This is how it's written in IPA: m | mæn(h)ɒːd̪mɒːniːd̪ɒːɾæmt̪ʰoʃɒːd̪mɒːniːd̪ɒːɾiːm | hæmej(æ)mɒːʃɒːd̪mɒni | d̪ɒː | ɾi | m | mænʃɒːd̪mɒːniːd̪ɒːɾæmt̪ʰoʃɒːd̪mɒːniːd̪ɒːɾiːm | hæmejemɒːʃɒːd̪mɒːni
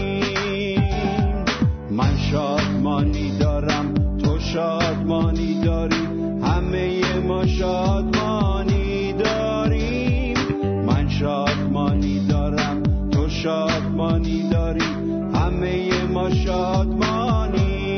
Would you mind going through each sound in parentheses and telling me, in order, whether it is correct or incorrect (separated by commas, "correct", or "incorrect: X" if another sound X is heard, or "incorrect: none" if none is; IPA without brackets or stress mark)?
incorrect: ʃ, incorrect: e